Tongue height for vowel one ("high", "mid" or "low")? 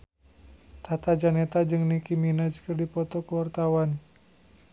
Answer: low